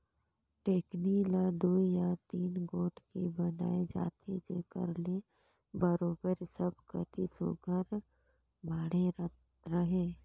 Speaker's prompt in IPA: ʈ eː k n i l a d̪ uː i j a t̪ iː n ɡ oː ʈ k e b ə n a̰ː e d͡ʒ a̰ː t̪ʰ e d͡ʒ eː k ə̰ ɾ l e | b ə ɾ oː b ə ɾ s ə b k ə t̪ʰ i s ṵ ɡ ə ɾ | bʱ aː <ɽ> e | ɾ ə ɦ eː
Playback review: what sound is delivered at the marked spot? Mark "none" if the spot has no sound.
ɽ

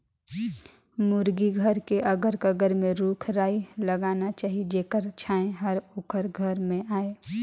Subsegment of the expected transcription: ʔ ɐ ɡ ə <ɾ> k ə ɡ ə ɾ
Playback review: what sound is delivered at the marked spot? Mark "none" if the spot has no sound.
ɾ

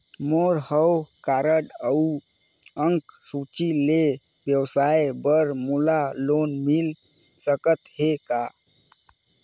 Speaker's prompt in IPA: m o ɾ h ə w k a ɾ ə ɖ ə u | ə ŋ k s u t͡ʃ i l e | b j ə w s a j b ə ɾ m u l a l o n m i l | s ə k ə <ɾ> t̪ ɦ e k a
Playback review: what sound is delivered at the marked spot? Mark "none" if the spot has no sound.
none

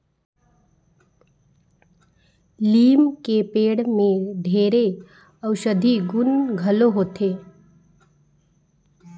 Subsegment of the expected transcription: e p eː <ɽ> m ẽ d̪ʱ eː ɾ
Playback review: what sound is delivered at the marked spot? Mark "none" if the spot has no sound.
ɽ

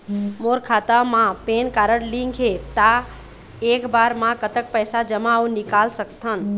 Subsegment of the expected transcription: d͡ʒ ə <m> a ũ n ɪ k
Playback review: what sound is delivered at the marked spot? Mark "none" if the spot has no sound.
m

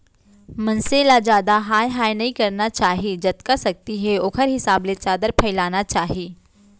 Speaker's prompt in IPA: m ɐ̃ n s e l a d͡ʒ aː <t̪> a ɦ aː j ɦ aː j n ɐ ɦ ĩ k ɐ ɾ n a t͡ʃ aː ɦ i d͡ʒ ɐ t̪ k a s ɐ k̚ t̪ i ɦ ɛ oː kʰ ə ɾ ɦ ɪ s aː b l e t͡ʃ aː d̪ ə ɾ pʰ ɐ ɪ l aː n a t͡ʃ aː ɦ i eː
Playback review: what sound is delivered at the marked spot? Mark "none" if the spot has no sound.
d̪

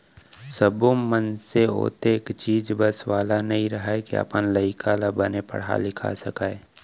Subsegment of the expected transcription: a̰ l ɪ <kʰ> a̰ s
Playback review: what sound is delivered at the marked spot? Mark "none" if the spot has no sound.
kʰ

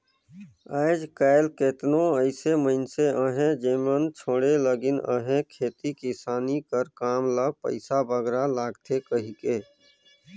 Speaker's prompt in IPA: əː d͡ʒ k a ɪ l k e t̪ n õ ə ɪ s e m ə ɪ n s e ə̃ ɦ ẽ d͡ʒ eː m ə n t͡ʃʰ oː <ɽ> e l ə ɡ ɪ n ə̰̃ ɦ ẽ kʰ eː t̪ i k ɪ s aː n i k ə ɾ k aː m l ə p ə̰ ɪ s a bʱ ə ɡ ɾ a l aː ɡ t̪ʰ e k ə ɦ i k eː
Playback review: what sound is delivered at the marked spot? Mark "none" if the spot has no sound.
ɽ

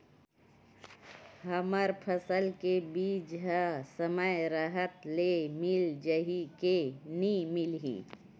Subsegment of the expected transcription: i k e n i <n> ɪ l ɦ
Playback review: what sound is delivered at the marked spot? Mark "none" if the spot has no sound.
m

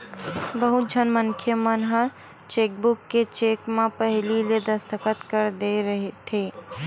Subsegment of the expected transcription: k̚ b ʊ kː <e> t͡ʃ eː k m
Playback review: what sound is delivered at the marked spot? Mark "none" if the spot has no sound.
e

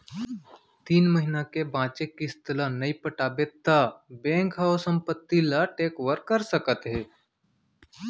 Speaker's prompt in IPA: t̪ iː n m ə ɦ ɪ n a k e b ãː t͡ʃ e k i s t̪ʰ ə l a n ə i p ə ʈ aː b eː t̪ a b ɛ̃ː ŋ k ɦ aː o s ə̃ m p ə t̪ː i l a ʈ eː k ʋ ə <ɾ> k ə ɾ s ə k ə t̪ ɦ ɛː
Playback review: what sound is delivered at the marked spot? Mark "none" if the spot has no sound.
ɾ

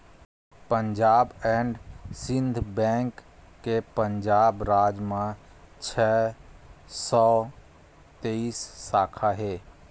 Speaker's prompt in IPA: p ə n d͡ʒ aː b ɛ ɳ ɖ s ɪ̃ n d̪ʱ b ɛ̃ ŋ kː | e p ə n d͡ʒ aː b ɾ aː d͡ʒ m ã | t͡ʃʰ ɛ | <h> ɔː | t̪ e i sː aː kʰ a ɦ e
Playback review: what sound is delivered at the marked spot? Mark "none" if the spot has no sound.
s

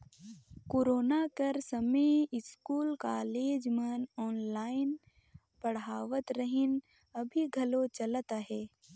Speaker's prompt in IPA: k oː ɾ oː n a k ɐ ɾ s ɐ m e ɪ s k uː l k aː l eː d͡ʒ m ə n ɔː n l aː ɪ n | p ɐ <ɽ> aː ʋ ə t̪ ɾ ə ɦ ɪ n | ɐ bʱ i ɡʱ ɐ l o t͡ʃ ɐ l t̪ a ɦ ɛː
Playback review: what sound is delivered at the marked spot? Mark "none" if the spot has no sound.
ɽ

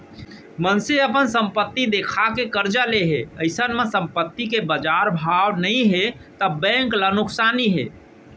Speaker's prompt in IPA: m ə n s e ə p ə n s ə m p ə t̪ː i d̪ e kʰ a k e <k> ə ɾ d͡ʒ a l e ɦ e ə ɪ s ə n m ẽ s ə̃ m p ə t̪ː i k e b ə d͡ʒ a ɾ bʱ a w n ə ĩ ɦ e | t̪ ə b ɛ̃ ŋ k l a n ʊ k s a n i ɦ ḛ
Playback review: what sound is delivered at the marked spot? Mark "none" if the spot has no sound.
k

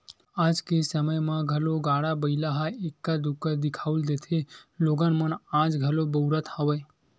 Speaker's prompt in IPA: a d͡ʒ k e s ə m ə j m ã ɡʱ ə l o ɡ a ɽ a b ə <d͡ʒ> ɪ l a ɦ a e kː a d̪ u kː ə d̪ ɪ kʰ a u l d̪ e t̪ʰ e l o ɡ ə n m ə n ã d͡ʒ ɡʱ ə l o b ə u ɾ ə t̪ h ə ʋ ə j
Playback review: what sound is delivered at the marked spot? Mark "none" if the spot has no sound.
none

